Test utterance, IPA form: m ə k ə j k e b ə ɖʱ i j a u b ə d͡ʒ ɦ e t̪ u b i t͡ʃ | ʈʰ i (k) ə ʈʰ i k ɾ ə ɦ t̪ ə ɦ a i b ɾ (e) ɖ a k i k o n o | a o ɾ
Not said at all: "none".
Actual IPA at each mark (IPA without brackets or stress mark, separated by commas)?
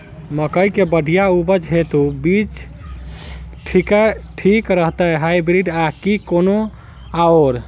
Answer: k, i